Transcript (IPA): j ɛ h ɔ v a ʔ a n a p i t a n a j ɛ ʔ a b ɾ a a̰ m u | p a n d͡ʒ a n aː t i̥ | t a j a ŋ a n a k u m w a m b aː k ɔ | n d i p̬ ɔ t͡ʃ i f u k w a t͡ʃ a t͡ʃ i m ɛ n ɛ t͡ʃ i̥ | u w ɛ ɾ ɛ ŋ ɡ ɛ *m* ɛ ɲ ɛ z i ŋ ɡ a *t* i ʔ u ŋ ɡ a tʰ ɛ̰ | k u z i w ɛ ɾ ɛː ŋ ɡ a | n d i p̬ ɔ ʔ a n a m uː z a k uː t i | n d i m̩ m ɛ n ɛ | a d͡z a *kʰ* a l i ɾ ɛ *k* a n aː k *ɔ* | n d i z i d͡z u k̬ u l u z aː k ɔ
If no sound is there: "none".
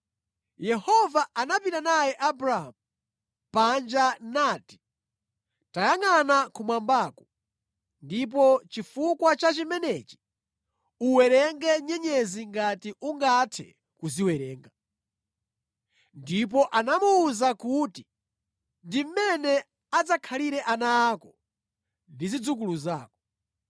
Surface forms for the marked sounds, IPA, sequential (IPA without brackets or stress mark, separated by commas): ɲ, t, kʰ, ʔ, ɔ